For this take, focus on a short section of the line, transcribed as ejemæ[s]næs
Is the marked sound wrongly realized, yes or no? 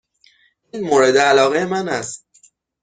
yes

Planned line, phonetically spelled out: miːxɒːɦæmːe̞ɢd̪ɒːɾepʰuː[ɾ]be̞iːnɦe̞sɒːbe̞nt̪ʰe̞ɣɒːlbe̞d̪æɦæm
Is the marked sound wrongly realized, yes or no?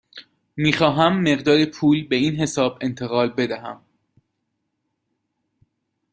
yes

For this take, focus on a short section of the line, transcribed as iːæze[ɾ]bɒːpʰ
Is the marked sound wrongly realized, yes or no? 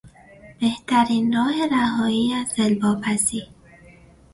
yes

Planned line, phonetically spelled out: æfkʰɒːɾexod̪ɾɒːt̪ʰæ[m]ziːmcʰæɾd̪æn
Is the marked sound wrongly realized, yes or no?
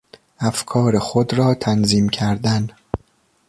yes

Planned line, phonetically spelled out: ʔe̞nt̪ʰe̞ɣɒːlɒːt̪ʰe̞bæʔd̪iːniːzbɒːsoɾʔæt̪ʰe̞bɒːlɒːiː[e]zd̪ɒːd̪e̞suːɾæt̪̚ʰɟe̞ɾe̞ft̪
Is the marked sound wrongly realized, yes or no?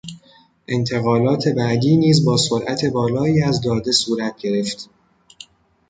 yes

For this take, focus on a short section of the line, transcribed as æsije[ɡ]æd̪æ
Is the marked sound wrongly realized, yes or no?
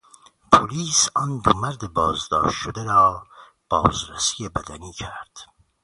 yes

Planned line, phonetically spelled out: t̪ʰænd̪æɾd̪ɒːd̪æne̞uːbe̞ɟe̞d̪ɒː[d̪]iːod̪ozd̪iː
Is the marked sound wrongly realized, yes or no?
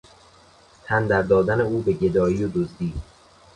yes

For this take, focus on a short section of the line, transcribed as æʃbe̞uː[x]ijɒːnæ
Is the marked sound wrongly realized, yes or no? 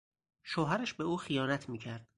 no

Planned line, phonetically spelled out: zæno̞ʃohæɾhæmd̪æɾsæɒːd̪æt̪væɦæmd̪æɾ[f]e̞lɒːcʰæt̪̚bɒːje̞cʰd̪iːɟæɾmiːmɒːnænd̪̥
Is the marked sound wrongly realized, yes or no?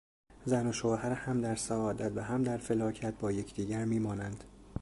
no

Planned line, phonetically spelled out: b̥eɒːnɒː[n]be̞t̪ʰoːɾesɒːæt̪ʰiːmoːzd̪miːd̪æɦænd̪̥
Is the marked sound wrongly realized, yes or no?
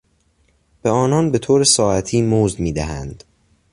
no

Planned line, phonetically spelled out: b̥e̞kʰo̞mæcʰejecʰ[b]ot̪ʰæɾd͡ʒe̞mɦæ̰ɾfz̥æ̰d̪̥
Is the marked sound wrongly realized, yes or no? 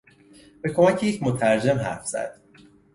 yes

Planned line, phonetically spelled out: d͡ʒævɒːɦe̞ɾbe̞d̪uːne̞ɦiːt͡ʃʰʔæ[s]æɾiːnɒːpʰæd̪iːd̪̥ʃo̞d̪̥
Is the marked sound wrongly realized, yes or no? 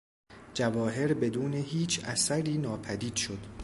no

